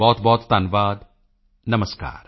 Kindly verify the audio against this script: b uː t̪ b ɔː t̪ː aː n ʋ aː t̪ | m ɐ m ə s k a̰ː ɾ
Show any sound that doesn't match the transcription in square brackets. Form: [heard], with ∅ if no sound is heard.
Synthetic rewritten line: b [ɔː] t̪ b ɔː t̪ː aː n ʋ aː [d̪] | [n] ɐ m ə s k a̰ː ɾ